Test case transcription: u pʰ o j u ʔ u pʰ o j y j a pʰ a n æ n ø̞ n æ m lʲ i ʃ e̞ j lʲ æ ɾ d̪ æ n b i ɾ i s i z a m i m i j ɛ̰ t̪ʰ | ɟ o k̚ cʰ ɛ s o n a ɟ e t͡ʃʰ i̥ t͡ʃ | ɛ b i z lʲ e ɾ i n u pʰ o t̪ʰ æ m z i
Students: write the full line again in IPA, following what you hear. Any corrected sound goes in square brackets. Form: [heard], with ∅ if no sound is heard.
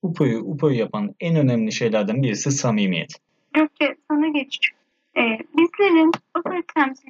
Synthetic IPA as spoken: u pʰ o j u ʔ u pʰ o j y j a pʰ a n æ n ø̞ n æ m lʲ i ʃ e̞ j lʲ æ ɾ d̪ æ n b i ɾ i s i [s] a m i m i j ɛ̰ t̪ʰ | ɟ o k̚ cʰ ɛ s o n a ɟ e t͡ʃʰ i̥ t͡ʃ | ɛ b i z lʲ e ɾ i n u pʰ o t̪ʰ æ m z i